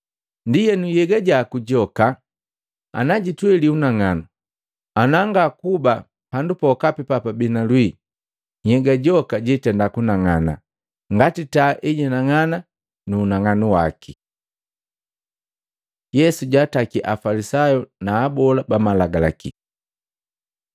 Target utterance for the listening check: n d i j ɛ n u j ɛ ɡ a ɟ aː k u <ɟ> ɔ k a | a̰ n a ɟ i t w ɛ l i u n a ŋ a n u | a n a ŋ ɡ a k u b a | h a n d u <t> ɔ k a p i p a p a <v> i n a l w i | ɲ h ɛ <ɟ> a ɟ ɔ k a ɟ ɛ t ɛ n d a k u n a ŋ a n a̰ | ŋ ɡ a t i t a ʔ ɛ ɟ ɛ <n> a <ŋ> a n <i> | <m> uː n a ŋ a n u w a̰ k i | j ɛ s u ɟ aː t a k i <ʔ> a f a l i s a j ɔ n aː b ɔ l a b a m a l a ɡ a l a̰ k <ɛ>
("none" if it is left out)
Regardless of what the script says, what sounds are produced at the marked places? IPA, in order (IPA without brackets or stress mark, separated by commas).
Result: ɟ, p, b, ɡ, n, ŋ, a, n, ʔ, i